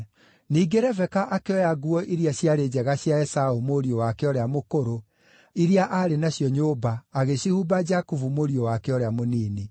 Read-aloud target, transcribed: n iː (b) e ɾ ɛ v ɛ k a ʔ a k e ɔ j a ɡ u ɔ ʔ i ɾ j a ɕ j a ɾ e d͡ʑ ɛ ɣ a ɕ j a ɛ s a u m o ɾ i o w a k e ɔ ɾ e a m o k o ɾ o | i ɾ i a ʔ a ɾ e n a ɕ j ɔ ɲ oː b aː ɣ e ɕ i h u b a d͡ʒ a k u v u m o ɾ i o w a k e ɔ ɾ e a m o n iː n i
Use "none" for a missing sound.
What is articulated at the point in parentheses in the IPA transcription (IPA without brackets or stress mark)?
ɡ